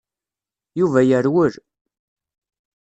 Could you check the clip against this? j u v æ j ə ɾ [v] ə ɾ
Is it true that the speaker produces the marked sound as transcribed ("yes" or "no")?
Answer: no